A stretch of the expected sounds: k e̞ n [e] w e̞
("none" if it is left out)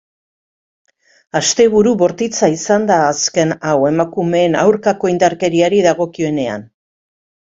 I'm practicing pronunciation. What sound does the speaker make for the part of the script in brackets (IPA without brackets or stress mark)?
a